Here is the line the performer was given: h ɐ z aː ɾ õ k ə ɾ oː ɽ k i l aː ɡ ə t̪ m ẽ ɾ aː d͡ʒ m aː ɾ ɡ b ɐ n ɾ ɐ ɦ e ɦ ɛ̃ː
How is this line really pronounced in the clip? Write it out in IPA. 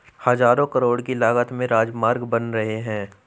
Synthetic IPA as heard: h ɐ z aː ɾ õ k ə ɾ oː ɽ k i l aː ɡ ə t̪ m ẽ ɾ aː d͡ʒ m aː ɾ ɡ b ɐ n ɾ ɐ ɦ e ɦ ɛ̃ː